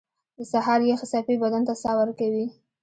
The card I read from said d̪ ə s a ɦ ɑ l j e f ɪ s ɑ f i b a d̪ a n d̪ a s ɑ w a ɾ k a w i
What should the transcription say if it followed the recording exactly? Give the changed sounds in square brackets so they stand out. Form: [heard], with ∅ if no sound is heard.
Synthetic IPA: d̪ ə s a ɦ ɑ [ɾ] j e [x] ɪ s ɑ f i b a d̪ a n [t̪] a s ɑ w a ɾ k a w i